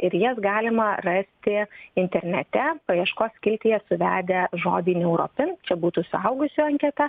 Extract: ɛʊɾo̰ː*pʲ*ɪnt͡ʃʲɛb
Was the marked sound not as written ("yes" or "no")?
no